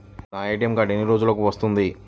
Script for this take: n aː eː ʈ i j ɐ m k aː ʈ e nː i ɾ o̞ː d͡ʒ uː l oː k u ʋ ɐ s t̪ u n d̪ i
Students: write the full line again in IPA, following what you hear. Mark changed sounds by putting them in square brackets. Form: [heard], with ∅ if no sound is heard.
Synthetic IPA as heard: n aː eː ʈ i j ɐ m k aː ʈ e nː i ɾ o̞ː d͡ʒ [u] l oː k u ʋ ɐ s t̪ u n d̪ i